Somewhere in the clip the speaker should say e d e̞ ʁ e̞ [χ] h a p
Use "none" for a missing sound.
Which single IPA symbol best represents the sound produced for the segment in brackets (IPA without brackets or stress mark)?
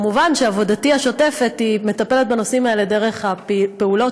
χ